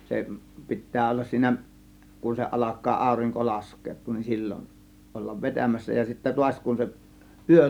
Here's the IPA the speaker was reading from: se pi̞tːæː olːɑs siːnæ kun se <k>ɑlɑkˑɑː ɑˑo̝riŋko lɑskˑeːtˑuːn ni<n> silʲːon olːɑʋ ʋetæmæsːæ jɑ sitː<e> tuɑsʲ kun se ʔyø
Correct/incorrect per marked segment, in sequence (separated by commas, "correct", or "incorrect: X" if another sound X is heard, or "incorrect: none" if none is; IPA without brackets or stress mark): incorrect: ʔ, correct, incorrect: æ